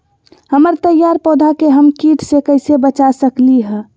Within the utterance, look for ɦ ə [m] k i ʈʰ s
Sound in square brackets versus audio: correct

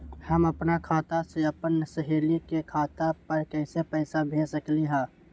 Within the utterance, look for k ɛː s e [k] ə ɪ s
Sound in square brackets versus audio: incorrect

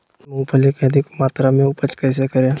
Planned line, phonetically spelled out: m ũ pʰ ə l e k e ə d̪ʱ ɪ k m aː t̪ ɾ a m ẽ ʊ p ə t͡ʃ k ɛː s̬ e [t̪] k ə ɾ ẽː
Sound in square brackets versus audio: incorrect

